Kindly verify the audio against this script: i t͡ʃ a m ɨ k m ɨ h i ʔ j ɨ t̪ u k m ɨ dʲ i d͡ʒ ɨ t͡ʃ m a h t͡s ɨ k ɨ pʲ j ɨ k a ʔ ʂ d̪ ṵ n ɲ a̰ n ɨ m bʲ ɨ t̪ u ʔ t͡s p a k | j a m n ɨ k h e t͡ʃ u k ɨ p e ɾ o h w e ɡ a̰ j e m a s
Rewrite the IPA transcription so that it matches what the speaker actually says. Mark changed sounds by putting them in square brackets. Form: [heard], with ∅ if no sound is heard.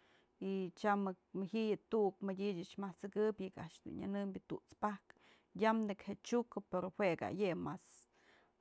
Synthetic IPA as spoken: i t͡ʃ a m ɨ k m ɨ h i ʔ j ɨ t̪ u k m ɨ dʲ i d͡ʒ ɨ t͡ʃ m a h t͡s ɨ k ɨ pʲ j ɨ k a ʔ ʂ d̪ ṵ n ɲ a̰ n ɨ m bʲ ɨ t̪ u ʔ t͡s p a k | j a m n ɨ k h e t͡ʃ u k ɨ p e ɾ o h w e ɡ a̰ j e m a s